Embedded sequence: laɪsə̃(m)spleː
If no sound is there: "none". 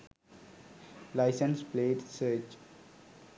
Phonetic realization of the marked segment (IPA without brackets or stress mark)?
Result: n